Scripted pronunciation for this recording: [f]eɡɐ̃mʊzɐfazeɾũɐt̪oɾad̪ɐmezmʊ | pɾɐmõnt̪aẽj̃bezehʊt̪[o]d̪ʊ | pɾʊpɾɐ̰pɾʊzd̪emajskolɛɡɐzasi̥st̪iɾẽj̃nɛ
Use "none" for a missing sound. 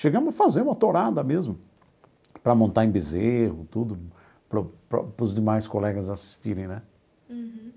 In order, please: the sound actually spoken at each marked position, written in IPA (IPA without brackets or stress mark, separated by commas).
ʃ, u